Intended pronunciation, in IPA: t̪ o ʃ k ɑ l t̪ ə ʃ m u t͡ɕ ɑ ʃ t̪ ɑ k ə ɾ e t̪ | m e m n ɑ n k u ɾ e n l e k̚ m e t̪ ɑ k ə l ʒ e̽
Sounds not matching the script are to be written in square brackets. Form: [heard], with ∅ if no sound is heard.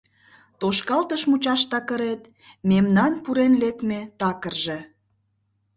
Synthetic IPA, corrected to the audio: t̪ o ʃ k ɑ l t̪ ə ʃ m u t͡ɕ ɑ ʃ t̪ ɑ k ə ɾ e t̪ | m e m n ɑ n [p] u ɾ e n l e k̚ m e t̪ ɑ k ə [r] ʒ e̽